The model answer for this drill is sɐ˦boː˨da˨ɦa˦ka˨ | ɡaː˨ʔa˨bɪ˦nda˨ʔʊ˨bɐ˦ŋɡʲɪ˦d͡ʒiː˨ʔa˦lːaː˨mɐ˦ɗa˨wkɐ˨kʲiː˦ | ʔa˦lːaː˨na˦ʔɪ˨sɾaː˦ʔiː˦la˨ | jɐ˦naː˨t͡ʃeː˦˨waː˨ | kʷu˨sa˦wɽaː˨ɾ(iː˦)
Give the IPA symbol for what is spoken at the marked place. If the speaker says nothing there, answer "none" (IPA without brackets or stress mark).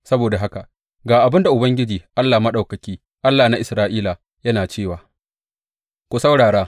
aː˦